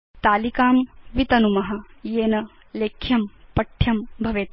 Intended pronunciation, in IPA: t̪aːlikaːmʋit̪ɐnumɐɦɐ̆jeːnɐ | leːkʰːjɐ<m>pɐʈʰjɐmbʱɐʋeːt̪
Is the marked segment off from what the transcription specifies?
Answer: no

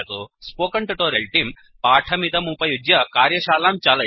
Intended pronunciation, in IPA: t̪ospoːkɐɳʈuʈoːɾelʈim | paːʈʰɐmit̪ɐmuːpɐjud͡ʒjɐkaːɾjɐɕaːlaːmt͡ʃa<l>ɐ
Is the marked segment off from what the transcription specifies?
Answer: no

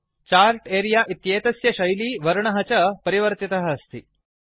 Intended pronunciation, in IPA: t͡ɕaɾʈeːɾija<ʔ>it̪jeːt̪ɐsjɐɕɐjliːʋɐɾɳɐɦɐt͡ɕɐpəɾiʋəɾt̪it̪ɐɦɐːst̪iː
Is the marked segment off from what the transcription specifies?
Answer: no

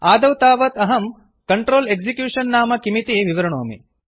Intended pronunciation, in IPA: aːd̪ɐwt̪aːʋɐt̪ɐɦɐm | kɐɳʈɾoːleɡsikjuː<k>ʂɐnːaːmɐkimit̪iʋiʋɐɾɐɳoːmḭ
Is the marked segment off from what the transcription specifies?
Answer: yes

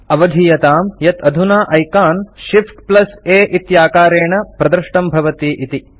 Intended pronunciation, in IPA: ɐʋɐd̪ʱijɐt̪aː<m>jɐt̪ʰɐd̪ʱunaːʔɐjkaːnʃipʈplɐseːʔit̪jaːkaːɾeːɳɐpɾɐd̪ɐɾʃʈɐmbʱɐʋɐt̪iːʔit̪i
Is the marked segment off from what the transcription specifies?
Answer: no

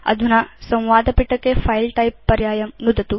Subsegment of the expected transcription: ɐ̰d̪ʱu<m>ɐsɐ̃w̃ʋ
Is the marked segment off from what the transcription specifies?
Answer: yes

